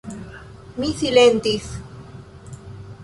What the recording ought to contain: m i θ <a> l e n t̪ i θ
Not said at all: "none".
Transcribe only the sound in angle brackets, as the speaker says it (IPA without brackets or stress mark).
i